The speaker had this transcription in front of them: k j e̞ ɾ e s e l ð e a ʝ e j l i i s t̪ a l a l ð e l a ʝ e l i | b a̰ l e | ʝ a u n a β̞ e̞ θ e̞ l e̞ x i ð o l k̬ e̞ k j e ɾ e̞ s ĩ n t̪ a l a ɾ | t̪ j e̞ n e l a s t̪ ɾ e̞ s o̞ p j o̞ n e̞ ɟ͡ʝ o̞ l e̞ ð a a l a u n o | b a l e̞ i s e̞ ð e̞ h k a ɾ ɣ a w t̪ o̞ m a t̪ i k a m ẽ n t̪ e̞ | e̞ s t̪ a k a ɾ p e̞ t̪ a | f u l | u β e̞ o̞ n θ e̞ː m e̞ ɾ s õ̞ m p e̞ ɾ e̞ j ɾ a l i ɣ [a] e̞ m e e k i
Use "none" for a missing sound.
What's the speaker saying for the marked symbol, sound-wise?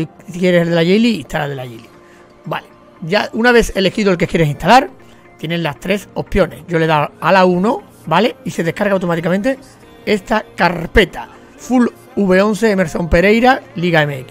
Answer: a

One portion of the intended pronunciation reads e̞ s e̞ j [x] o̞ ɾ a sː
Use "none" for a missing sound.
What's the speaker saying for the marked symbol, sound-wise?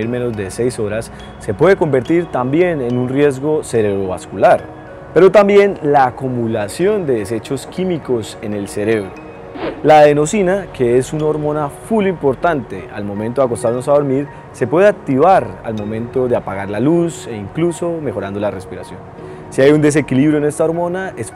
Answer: s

